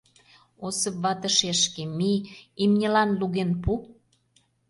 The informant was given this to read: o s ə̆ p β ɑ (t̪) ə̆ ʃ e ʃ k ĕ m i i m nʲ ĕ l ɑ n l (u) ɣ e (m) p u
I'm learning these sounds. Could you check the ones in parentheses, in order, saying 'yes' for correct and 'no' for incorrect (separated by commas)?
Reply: yes, yes, no